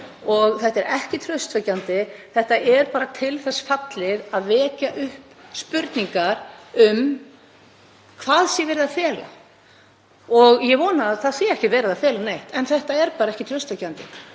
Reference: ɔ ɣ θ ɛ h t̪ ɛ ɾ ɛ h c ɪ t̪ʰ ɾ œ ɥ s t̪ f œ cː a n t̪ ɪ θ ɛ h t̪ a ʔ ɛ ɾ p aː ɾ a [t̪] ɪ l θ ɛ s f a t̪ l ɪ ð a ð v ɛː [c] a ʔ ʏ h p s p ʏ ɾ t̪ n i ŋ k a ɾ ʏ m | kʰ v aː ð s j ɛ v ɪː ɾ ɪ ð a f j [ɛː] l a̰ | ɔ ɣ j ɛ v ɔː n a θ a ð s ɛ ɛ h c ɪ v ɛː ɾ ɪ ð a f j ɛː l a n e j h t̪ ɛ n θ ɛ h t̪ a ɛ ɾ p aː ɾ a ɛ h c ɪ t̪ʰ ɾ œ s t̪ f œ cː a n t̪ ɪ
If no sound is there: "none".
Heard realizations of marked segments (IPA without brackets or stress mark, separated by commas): t̪ʰ, c, ɛː